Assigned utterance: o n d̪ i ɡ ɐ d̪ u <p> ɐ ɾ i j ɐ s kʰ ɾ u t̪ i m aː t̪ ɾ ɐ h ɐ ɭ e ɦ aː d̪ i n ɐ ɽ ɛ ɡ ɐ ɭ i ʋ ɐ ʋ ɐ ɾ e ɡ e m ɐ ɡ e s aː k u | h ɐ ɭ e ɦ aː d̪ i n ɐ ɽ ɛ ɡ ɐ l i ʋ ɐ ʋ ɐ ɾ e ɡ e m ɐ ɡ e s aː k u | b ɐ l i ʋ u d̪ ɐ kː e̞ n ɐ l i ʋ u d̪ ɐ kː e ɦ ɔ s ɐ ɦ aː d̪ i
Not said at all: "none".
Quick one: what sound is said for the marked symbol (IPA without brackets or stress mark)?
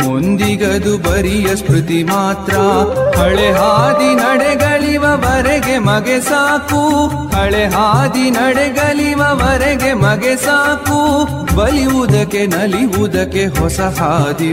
b